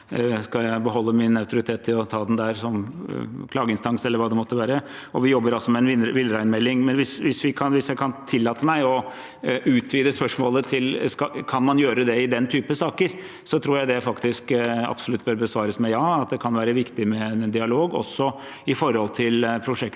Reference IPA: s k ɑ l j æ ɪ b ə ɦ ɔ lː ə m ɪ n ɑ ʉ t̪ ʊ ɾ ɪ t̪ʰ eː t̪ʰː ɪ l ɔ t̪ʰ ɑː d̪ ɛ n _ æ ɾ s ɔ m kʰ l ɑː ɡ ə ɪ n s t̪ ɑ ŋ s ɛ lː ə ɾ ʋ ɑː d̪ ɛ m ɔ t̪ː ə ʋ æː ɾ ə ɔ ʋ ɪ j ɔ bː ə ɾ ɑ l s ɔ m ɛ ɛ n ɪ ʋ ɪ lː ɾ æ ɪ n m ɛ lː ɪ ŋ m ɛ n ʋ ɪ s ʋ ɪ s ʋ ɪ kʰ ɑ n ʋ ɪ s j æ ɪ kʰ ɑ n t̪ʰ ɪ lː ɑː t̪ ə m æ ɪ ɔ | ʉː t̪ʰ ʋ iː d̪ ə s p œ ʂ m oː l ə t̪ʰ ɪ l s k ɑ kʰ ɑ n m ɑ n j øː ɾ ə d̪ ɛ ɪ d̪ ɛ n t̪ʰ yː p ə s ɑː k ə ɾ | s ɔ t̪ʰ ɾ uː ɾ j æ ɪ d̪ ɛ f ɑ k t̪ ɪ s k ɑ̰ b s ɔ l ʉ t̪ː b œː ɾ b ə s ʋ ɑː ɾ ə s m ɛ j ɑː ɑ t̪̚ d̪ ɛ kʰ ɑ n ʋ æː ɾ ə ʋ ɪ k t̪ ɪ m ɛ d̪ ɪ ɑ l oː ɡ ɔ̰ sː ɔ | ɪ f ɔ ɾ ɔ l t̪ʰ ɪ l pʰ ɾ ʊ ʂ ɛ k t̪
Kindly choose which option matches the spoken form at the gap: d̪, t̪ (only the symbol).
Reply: d̪